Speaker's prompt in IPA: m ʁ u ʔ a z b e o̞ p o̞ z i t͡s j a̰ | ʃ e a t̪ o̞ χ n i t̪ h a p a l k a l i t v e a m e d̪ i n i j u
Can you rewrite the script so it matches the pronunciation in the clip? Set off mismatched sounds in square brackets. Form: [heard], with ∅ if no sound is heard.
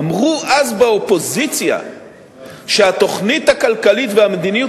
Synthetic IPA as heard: m ʁ u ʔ a z b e o̞ p o̞ z i t͡s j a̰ | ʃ e a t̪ o̞ χ n i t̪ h a [k] a l k a l i t v e a m e d̪ i n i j u